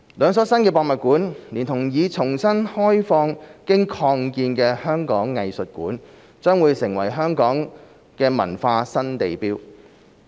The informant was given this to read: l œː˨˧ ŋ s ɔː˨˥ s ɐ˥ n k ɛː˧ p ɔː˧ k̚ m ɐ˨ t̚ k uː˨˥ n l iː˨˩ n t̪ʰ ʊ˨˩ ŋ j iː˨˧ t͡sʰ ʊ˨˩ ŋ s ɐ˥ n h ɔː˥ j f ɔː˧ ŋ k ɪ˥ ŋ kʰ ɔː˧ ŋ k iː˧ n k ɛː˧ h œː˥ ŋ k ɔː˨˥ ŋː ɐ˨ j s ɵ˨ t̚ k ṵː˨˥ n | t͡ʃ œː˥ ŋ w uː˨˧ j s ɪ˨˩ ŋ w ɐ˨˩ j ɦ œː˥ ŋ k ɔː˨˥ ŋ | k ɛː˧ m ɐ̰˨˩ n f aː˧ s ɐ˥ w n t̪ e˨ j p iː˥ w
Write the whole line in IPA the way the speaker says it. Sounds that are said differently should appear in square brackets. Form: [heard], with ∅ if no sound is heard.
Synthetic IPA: l œː˨˧ ŋ s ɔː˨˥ s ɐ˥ n k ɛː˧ p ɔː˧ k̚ m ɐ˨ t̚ k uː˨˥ n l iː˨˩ n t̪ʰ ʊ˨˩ ŋ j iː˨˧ t͡sʰ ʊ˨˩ ŋ s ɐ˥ n h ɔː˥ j f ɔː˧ ŋ k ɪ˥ ŋ kʰ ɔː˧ ŋ k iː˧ n k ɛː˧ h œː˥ ŋ k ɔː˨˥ ŋː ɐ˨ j s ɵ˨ t̚ k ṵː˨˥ n | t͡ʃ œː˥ ŋ w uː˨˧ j s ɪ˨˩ ŋ w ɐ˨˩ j ɦ œː˥ ŋ k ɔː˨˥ ŋ | k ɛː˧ m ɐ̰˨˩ n f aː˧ s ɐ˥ [∅] n t̪ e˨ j p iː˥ w

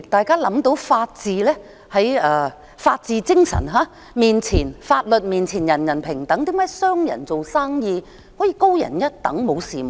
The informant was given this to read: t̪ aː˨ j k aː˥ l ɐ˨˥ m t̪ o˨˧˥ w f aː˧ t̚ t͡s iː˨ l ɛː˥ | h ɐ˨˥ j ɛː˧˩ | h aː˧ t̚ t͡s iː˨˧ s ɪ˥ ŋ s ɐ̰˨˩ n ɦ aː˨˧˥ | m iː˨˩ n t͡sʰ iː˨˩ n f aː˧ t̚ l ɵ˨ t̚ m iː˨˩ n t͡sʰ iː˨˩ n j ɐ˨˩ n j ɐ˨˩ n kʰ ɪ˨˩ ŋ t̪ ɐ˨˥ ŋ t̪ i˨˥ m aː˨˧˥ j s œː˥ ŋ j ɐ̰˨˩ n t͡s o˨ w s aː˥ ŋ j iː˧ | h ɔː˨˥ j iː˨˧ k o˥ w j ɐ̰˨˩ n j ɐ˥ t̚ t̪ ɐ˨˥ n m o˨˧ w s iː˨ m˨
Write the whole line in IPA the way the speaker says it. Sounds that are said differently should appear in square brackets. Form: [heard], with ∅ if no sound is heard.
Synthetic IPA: t̪ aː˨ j k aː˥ l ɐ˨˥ m t̪ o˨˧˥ w f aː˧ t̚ t͡s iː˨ l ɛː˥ | h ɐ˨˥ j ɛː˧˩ | [f] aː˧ t̚ t͡s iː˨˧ [t͡s] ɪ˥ ŋ s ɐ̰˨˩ n ɦ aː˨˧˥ | m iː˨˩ n t͡sʰ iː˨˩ n f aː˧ t̚ l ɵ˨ t̚ m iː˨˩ n t͡sʰ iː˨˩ n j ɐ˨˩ n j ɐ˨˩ n [pʰ] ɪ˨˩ ŋ t̪ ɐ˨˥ ŋ t̪ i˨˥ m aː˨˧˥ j s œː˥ ŋ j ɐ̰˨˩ n t͡s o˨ w s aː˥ ŋ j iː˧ | h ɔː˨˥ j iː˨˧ k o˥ w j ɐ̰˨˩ n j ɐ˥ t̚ t̪ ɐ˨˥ [ŋ] m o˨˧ w s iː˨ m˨

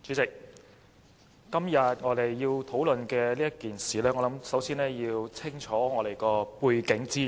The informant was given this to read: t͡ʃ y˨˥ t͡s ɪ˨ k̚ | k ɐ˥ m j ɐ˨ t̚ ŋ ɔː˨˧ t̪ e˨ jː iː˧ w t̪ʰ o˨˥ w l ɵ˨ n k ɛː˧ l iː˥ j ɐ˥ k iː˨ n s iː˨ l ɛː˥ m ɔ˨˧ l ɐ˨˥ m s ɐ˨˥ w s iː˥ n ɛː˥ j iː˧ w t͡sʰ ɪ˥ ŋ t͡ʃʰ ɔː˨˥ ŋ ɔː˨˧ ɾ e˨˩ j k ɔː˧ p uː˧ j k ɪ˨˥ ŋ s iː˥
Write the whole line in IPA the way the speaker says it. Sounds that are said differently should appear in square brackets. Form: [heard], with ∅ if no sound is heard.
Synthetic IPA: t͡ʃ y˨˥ t͡s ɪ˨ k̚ | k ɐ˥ m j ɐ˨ t̚ ŋ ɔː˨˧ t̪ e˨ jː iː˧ w t̪ʰ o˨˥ w l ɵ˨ n k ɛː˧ l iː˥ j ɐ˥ k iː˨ n s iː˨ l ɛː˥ [ŋ] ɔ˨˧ l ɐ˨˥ m s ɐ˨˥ w s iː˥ n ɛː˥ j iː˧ w t͡sʰ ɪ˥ ŋ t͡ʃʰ ɔː˨˥ ŋ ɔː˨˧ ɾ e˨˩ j k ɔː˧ p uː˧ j k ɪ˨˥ ŋ [t͡s] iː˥

